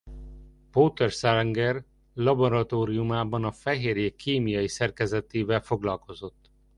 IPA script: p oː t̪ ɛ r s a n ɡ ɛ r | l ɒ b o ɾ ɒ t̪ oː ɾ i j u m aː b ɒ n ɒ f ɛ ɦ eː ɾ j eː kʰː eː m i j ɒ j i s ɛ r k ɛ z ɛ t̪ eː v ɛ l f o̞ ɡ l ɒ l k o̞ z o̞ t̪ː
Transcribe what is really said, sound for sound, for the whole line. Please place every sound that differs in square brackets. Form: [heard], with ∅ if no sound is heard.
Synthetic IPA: p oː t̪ ɛ r s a [ŋ] ɡ ɛ r | l ɒ b o ɾ ɒ t̪ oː ɾ i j u m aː b ɒ n ɒ f ɛ ɦ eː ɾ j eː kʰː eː m i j ɒ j i s ɛ r k ɛ z ɛ t̪ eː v ɛ l f o̞ ɡ l ɒ l k o̞ z o̞ t̪ː